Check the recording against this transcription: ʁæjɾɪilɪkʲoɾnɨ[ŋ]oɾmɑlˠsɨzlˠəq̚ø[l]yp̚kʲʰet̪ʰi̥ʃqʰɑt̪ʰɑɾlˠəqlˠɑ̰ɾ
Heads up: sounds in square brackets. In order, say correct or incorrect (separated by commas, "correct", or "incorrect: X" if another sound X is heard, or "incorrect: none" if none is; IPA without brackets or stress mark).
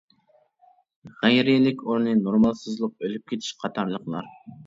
incorrect: n, correct